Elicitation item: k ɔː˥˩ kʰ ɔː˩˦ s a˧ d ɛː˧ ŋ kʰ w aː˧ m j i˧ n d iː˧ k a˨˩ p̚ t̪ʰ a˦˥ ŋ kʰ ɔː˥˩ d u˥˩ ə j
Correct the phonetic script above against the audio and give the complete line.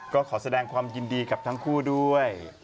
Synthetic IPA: k ɔː˥˩ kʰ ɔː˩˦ s a˧ d ɛː˧ ŋ kʰ w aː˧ m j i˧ n d iː˧ k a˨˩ p̚ t̪ʰ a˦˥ ŋ kʰ uː˥˩ d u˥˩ ə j